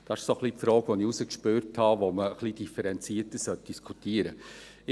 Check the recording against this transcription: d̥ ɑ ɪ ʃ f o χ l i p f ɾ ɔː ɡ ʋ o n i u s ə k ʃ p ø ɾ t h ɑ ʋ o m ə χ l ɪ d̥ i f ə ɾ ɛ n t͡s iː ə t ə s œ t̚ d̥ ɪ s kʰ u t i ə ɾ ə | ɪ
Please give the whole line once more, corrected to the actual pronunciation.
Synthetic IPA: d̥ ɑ ɪ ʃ s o χ l i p f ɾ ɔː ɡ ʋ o n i u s ə k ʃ p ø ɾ t h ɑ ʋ o m ə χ l i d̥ i f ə ɾ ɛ n t͡s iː ə t ə s œ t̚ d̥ i s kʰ u t i ə ɾ ə | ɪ